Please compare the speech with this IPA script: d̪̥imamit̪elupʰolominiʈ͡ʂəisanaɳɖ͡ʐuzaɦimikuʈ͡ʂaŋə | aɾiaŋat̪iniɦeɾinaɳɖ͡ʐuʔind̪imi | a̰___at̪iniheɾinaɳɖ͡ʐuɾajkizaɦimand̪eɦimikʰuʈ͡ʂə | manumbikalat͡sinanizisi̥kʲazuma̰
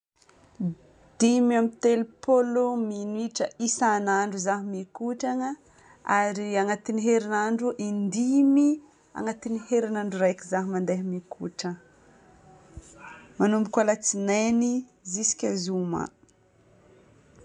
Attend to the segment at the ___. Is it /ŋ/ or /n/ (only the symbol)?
ŋ